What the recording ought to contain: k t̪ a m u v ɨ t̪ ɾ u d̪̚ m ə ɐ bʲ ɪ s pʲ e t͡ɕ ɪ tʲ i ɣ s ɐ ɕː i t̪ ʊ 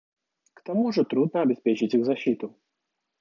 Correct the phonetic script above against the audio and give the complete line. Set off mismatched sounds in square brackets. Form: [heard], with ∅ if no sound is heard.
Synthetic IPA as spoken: k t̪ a m u [ʐ] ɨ t̪ ɾ u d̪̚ [n] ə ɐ bʲ ɪ s pʲ e t͡ɕ ɪ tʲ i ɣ [z] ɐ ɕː i t̪ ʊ